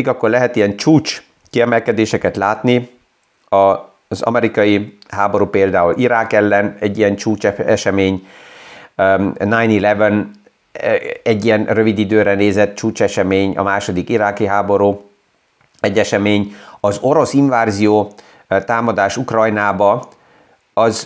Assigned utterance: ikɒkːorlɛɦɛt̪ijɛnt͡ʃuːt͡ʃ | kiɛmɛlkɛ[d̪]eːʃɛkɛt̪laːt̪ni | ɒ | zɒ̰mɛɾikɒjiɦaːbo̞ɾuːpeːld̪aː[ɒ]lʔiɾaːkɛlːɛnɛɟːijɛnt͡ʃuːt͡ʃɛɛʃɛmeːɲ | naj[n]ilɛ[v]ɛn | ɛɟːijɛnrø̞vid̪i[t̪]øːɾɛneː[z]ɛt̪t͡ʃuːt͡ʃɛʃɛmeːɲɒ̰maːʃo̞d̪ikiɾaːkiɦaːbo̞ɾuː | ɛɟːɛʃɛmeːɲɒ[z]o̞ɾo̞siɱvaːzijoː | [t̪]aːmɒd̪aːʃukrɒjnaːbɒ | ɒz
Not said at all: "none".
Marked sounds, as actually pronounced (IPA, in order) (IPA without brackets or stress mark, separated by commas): d̪, u, n, v, d̪, z, z, t̪